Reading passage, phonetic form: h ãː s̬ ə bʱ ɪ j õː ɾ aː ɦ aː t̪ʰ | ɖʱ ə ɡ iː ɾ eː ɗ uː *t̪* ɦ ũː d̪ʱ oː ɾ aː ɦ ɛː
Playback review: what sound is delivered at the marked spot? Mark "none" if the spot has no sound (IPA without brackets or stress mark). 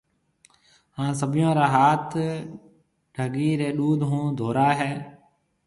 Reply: d̪